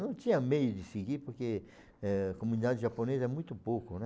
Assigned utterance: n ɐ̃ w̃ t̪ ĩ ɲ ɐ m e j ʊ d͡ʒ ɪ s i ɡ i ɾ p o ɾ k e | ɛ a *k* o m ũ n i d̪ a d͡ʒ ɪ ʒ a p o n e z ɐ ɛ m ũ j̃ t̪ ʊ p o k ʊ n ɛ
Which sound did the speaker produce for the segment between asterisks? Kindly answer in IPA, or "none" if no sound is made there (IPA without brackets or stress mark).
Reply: k